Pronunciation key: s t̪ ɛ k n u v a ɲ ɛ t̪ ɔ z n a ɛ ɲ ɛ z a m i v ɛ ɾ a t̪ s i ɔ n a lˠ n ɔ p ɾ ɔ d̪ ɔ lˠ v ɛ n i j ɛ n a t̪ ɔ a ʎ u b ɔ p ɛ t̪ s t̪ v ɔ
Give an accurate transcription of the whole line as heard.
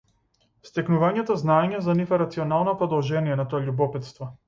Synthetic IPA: s t̪ ɛ k n u v a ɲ ɛ t̪ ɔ z n a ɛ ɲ ɛ z a n i f ɛ ɾ a t̪ s i ɔ n a lˠ n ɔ p ɾ ɔ d̪ ɔ lˠ ʒ ɛ n i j ɛ n a t̪ ɔ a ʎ u b ɔ p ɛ t̪ s t̪ v ɔ